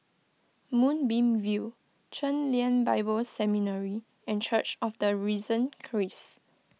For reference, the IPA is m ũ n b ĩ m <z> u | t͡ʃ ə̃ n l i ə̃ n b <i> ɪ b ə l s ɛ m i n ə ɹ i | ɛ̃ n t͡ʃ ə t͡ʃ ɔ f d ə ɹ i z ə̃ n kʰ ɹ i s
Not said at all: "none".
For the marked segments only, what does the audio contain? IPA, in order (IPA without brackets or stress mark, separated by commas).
v, a